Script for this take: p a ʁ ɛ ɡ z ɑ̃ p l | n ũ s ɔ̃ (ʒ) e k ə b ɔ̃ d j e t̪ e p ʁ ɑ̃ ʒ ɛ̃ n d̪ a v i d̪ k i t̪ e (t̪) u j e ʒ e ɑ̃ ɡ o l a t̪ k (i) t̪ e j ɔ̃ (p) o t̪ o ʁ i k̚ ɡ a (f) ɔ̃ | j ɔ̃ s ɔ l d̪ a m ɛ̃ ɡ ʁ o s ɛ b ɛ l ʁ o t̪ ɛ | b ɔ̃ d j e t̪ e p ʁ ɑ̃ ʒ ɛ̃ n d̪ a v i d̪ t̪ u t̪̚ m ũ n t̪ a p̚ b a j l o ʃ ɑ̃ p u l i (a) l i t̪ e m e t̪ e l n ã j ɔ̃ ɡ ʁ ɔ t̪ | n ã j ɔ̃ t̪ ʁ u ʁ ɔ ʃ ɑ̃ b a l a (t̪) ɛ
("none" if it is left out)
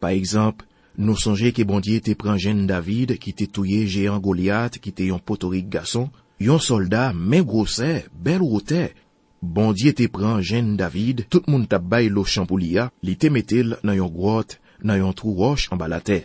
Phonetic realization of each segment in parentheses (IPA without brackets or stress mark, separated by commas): ʒ, t̪, i, p, s, a, t̪